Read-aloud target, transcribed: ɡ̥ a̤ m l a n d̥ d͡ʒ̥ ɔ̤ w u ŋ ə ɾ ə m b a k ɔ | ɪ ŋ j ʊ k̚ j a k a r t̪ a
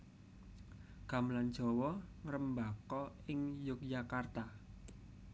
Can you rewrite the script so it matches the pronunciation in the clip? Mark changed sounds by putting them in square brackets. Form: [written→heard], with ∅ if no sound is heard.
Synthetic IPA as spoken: ɡ̥ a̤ m l a n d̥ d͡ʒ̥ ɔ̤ w [u→ɔ] ŋ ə ɾ ə m b a k ɔ | ɪ ŋ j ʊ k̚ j a k a r t̪ a